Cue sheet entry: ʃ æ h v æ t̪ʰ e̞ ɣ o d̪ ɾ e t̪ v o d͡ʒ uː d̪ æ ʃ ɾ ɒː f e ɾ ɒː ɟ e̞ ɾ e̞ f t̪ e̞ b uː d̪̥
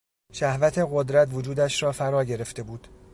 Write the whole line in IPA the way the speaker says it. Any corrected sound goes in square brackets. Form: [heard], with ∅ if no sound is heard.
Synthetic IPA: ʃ æ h v æ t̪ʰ e̞ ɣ o d̪ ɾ [æ] t̪ v o d͡ʒ uː d̪ æ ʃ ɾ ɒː f [æ] ɾ ɒː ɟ e̞ ɾ e̞ f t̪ e̞ b uː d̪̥